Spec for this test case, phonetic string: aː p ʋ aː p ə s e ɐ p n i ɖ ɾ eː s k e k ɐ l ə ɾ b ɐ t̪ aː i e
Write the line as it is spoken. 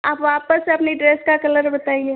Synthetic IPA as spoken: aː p ʋ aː p ə s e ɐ p n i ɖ ɾ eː s k a k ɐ l ə ɾ b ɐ t̪ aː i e

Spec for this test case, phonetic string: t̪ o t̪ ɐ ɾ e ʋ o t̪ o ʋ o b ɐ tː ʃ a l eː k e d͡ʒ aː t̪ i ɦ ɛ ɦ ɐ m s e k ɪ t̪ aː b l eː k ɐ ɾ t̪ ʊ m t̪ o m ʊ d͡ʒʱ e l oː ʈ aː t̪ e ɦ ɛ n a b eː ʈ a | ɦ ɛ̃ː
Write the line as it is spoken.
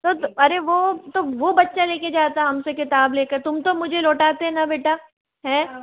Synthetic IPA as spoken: t̪ o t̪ ɐ ɾ e ʋ o t̪ o ʋ o b ɐ tː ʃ a l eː k e d͡ʒ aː t̪ a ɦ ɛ ɦ ɐ m s e k ɪ t̪ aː b l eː k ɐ ɾ t̪ ʊ m t̪ o m ʊ d͡ʒʱ e l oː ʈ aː t̪ e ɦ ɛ n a b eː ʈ a | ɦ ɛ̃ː

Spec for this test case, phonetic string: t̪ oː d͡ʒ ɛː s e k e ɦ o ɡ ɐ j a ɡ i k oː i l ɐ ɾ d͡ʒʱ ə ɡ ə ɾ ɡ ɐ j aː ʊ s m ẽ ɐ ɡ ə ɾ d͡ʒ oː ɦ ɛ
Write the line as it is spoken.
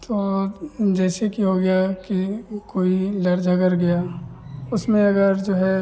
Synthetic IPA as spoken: t̪ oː d͡ʒ ɛː s e k i ɦ o ɡ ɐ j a k i k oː i l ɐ ɾ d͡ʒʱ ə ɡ ə ɾ ɡ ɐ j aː ʊ s m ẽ ɐ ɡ ə ɾ d͡ʒ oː ɦ ɛ

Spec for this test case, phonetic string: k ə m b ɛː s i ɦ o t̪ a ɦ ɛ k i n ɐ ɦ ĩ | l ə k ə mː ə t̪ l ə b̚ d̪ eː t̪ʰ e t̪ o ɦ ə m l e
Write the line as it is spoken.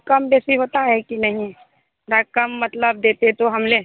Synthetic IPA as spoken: k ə m b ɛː s i ɦ o t̪ a ɦ ɛ k i n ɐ ɦ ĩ | ɾ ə k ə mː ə t̪ l ə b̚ d̪ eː t̪ e t̪ o ɦ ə m l e

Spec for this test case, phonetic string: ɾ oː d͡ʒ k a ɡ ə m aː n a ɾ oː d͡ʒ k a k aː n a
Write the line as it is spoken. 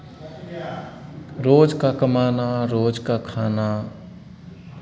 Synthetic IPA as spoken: ɾ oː d͡ʒ k a k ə m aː n a ɾ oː d͡ʒ k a kʰ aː n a

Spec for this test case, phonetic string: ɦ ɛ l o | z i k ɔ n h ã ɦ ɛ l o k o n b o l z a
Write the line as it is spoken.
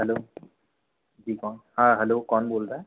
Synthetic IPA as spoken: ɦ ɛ l o | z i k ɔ n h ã ɦ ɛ l o k ɔ n b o l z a

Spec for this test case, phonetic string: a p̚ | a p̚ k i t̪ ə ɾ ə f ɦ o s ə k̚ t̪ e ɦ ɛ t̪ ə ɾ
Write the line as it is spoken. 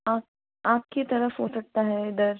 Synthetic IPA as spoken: a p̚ | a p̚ k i t̪ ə ɾ ə f ɦ o s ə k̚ t̪ a ɦ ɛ d̪ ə ɾ

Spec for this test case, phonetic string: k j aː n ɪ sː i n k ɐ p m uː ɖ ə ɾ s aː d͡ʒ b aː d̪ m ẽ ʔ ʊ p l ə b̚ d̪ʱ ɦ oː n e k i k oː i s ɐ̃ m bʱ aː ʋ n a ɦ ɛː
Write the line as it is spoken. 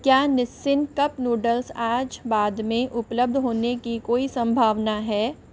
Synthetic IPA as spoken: k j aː n ɪ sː ɪ n k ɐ p n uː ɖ ə l s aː d͡ʒ b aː d̪ m ẽ ʔ ʊ p l ə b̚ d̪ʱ ɦ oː n e k i k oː i s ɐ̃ m bʱ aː ʋ n a ɦ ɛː

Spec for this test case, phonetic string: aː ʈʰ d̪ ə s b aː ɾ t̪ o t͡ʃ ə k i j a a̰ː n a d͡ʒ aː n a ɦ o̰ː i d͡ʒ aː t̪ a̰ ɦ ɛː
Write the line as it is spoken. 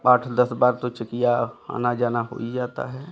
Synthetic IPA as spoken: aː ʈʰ d̪ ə s b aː ɾ t̪ o t͡ʃ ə k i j a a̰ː n a d͡ʒ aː n a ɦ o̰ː i d͡ʒ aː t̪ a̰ ɦ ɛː

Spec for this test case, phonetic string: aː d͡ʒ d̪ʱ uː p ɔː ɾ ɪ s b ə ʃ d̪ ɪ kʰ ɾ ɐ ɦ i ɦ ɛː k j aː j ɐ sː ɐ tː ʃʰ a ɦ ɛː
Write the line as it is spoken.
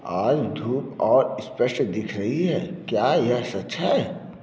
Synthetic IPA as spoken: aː d͡ʒ d̪ʱ uː p ɔː ɾ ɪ s p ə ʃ d̪ ɪ kʰ ɾ ɐ ɦ i ɦ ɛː k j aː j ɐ s ɐ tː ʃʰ a ɦ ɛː

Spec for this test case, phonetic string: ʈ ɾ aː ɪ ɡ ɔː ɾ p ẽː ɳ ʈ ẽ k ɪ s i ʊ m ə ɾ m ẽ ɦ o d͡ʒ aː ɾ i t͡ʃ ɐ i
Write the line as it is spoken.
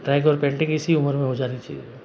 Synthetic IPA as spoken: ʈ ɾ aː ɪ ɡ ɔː ɾ p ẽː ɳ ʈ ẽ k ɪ s i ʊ m ə ɾ m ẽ ɦ o d͡ʒ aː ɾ i t͡ʃ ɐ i

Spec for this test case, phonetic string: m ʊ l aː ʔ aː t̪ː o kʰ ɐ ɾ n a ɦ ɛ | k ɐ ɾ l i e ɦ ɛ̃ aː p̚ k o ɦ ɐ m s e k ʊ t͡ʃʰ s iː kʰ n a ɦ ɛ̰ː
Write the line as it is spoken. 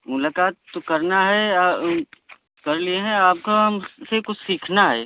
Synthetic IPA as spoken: m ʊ l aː k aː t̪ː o k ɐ ɾ n a ɦ ɛ | k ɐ ɾ l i e ɦ ɛ̃ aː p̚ k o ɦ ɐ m s e k ʊ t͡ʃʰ s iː kʰ n a ɦ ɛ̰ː

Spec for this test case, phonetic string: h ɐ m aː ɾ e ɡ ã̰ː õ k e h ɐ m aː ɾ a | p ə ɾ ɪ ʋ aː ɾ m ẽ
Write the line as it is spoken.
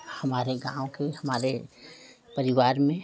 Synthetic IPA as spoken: h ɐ m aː ɾ e ɡ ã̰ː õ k e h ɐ m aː ɾ e | p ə ɾ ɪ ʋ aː ɾ m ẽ

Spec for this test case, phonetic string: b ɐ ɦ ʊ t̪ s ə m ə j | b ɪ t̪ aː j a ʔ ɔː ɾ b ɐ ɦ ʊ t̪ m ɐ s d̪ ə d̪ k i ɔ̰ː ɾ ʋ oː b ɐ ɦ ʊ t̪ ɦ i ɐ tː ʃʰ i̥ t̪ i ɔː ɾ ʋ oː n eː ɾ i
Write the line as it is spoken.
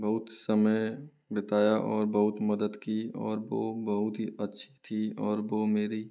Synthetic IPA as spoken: b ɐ ɦ ʊ t̪ s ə m ə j | b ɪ t̪ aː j a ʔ ɔː ɾ b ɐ ɦ ʊ t̪ m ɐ d̪ ə d̪ k i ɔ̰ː ɾ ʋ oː b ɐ ɦ ʊ t̪ ɦ i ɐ tː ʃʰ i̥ t̪ʰ i ɔː ɾ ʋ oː m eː ɾ i

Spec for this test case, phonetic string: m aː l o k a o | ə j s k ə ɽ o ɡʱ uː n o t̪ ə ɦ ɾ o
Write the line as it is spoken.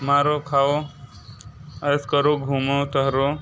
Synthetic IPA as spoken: m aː ɾ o kʰ a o | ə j s k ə ɾ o ɡʱ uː m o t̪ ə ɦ ɾ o

